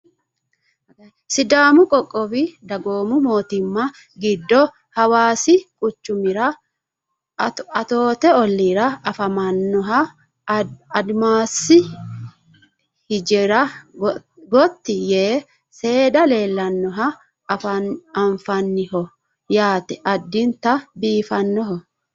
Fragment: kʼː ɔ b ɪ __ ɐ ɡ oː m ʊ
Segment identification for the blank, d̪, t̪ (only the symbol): d̪